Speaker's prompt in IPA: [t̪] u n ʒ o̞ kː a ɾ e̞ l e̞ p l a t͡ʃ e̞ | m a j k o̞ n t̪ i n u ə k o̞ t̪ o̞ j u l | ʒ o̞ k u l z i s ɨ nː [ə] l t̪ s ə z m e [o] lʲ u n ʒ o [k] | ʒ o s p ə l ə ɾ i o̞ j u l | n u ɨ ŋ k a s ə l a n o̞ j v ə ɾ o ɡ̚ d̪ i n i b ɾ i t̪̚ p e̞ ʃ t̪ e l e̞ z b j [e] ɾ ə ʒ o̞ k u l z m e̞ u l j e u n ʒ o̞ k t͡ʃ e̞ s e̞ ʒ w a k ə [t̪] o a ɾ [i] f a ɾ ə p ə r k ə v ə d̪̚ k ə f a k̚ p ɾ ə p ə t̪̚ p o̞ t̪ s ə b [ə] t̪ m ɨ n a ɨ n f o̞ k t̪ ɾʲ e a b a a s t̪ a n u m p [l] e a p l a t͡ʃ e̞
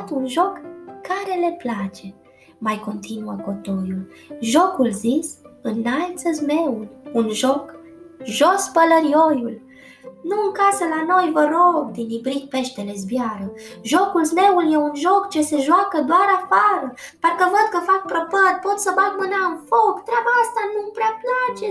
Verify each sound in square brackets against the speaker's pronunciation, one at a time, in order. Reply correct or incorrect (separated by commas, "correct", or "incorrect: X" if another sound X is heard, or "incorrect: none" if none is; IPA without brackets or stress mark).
correct, incorrect: a, incorrect: u, correct, incorrect: a, incorrect: d̪, incorrect: a, incorrect: a, incorrect: ɾ